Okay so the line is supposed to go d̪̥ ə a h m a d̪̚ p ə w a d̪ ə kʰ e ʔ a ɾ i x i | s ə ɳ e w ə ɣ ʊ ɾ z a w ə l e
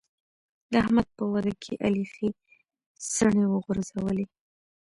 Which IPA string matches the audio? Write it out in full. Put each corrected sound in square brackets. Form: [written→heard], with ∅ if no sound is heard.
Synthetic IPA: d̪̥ ə a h m a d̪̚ p ə w a d̪ [ə→a] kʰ e ʔ a [ɾ→l] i x i | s ə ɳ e w ə ɣ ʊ ɾ z a w ə l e

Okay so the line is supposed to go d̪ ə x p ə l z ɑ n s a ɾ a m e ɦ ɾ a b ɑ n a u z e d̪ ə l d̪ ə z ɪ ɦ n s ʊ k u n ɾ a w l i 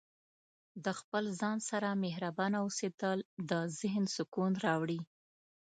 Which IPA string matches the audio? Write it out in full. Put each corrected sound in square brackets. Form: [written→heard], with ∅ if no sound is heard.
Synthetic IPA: d̪ ə x p ə l z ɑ n s a ɾ a m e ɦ ɾ a b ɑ n a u [z→s] e d̪ ə l d̪ ə z ɪ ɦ n s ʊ k u n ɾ [a→ɑ] w [l→ɽ] i

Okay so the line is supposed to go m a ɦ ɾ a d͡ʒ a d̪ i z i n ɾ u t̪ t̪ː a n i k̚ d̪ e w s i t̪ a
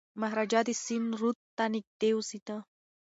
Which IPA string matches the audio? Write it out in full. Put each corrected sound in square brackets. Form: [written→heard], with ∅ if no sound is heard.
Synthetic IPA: m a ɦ ɾ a d͡ʒ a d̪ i [z→s] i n ɾ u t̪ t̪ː a n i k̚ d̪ e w s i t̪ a

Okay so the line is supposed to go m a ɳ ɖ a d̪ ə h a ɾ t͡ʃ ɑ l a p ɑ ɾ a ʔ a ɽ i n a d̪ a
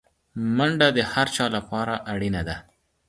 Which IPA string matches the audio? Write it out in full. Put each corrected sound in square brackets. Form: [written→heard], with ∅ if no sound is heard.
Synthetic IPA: m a ɳ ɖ a d̪ ə h a ɾ t͡ʃ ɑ l a p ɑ ɾ a ʔ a ɽ i n a d̪ a

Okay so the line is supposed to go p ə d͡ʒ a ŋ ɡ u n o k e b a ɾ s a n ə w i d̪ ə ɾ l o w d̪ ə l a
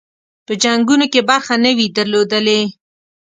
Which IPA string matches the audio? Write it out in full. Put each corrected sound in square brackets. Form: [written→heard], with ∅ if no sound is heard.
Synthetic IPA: p ə d͡ʒ a ŋ ɡ u n o k e b a ɾ [s→x] a n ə w i d̪ ə ɾ l o [w→∅] d̪ ə l [a→e]

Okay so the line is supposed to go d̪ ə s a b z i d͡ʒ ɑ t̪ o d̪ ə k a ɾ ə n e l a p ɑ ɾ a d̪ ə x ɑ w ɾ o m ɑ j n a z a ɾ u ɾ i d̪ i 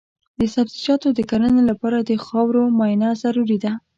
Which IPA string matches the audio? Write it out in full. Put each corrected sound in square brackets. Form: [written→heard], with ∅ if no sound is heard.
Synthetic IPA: d̪ ə s a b z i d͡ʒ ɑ t̪ o d̪ ə k a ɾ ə n e l a p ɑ ɾ a d̪ ə x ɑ w ɾ o m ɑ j n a z a ɾ u ɾ i d̪ [i→a]

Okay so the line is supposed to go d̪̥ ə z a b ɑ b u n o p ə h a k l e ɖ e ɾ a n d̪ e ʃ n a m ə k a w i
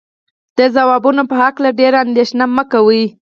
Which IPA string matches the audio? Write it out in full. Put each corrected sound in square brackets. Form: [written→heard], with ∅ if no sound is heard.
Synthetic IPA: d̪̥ ə z a [b→w] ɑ b u n o p ə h a k l [e→a] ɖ e ɾ a n d̪ e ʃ n a m ə k a w i

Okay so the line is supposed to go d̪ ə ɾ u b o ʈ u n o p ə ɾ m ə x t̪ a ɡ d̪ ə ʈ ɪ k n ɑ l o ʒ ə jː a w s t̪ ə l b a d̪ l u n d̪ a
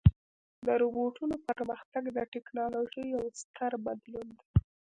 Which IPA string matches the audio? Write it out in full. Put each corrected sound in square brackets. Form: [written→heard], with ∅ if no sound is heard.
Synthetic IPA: d̪ ə ɾ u b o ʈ u n o p ə ɾ m ə x t̪ a ɡ d̪ ə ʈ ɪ k n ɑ l o ʒ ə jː a w s t̪ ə [l→ɾ] b a d̪ l u n d̪ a

